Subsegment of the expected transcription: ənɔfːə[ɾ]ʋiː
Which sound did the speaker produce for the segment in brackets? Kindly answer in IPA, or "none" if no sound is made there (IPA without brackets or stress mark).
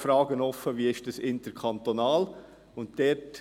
none